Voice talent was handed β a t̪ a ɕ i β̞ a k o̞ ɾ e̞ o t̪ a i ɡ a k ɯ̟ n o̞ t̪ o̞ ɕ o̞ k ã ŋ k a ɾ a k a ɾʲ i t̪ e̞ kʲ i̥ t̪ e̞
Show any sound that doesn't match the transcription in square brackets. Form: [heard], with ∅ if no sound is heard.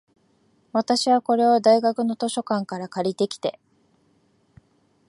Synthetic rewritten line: β a t̪ a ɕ i β̞ a k o̞ ɾ e̞ o [d̪] a i ɡ a k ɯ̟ n o̞ t̪ o̞ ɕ o̞ k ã ŋ k a ɾ a k a ɾʲ i t̪ e̞ kʲ i̥ t̪ e̞

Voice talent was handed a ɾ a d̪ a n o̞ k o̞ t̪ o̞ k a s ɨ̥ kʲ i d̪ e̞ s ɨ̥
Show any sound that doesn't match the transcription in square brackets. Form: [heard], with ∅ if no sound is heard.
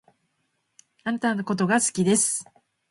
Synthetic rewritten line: a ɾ a [t̪] a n o̞ k o̞ t̪ o̞ [ɡ] a s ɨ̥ kʲ i d̪ e̞ s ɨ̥

